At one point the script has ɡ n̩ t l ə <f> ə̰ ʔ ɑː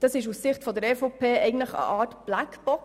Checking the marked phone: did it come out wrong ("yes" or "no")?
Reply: yes